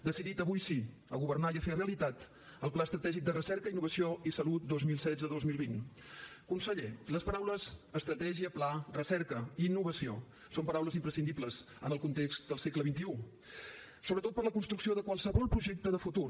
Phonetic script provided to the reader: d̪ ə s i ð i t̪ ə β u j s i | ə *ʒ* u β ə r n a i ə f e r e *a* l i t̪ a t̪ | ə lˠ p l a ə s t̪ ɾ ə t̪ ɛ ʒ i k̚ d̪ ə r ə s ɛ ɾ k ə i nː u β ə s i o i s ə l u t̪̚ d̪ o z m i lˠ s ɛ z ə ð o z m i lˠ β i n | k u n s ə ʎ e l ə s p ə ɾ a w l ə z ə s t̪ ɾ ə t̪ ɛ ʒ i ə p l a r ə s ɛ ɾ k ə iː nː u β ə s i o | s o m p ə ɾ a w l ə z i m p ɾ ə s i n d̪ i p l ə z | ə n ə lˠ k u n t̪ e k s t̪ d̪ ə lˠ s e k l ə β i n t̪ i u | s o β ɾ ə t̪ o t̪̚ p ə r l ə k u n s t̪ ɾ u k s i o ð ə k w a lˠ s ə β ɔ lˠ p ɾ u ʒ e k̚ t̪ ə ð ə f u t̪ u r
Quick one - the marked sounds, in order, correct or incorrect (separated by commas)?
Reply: incorrect, incorrect